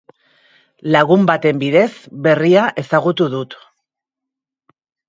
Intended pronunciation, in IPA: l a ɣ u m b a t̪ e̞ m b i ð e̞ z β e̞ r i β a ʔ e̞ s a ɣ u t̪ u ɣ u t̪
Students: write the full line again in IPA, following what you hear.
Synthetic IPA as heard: l a ɣ u m b a t̪ e̞ m b i ð e̞ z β e̞ r i a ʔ e̞ s a ɣ u t̪ u ð u t̪